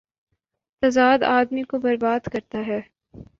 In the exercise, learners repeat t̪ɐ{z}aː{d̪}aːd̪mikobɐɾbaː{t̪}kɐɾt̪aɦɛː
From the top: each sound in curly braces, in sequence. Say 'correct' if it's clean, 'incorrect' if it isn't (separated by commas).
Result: correct, correct, incorrect